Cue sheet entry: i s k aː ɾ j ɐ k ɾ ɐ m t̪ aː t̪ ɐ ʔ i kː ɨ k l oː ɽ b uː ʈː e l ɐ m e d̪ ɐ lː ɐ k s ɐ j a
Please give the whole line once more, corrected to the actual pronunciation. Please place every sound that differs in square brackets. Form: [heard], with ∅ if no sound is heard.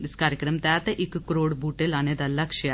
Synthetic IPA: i s k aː ɾ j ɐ k ɾ ɐ m t̪ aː t̪ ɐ ʔ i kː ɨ k [ɾ] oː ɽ b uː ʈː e l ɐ [n] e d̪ ɐ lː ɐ k [ʂ] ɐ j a